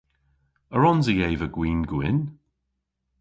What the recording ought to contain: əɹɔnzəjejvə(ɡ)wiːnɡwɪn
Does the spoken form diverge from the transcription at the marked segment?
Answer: no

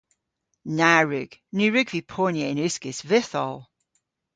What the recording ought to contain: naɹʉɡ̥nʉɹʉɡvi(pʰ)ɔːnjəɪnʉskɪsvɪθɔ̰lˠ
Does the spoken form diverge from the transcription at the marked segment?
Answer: no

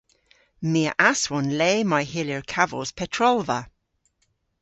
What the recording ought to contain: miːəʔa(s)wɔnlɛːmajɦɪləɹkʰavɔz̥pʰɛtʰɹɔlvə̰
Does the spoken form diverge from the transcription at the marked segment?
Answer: no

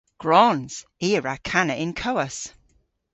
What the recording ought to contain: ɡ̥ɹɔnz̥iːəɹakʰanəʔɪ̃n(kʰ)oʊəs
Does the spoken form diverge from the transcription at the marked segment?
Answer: no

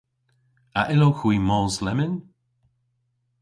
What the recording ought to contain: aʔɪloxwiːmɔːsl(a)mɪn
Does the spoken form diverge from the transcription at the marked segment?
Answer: yes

